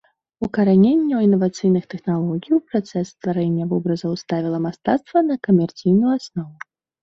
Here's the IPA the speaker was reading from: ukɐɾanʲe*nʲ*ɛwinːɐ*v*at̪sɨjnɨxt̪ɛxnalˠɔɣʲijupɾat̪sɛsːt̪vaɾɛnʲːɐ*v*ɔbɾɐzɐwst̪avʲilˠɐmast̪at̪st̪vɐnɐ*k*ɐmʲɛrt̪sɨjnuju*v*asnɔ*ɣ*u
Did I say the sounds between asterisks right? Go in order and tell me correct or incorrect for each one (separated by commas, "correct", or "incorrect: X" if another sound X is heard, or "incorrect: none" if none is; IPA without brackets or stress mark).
incorrect: nʲː, correct, correct, correct, incorrect: none, incorrect: v